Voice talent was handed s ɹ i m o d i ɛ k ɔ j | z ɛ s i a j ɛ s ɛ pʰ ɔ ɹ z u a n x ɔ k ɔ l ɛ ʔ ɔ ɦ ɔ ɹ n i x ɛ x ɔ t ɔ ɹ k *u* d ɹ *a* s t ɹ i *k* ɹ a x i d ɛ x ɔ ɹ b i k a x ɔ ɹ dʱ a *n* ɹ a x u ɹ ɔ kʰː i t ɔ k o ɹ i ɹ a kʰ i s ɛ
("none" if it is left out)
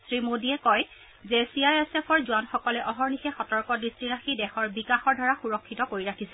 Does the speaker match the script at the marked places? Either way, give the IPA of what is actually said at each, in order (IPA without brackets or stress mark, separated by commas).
ɔ, i, none, none